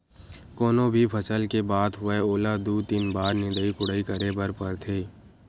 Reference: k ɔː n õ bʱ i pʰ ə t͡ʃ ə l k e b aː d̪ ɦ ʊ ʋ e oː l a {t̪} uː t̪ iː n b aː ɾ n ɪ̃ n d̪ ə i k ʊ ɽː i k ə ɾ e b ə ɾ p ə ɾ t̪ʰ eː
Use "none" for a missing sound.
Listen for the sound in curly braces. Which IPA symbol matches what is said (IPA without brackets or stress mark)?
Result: d̪